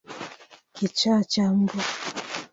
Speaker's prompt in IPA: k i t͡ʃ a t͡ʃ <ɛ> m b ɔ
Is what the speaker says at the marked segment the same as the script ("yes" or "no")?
no